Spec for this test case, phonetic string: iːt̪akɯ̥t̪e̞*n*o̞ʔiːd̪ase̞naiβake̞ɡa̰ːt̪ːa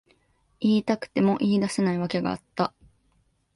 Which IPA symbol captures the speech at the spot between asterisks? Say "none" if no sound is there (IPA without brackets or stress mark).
m